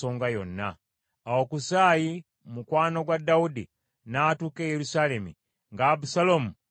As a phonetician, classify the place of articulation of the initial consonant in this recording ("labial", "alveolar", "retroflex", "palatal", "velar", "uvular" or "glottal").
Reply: velar